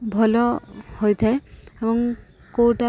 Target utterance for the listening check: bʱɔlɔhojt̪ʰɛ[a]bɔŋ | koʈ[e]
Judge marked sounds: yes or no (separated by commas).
no, no